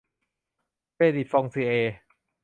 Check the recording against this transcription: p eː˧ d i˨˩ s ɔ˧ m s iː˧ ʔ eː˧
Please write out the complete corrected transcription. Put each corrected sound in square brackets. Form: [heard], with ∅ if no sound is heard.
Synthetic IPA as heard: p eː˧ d i˨˩ [f] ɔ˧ [ŋ] s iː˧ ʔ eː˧